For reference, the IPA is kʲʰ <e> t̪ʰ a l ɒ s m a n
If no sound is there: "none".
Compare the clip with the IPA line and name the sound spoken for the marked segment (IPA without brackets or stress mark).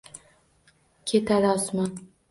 e